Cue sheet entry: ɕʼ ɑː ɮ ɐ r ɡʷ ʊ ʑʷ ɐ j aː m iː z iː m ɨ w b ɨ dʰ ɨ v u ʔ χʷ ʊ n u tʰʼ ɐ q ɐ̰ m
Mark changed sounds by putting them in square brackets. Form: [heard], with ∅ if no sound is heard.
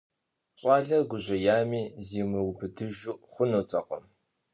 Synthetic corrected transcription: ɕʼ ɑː ɮ ɐ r ɡʷ ʊ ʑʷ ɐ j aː m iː z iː m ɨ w b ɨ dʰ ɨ [ʒ] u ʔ χʷ ʊ n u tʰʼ ɐ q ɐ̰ m